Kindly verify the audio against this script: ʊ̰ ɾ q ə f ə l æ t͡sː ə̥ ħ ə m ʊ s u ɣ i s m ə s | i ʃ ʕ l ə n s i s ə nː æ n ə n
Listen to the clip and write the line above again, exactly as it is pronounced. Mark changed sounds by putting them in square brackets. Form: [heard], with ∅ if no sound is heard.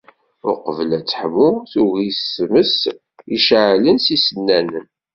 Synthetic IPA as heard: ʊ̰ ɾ q ə [v] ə l æ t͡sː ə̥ ħ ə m ʊ [θ] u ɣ i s m ə s | i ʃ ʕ l ə n s i s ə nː æ n ə n